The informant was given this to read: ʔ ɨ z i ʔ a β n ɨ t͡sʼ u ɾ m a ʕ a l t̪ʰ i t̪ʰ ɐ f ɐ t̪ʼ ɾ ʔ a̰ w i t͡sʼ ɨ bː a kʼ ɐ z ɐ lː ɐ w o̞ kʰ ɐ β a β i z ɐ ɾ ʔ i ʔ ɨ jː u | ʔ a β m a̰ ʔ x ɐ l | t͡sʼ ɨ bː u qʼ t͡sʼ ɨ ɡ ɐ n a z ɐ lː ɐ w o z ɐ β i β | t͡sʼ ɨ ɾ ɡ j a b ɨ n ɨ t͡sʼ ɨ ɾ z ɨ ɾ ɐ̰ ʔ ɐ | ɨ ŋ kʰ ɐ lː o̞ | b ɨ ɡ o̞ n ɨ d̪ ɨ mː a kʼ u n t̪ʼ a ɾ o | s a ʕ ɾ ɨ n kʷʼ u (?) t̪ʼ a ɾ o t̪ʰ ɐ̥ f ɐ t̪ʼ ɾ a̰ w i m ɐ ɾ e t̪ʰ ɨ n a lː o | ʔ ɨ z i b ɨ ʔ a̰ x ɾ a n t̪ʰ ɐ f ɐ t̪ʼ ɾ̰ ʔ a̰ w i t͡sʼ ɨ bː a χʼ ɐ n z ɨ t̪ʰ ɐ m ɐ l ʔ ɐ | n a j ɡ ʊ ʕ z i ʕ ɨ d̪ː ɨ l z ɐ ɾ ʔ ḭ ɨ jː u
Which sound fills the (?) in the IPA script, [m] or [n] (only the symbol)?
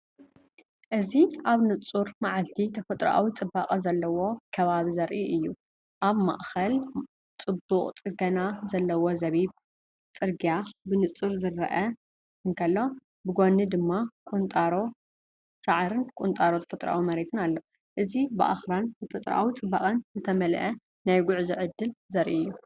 n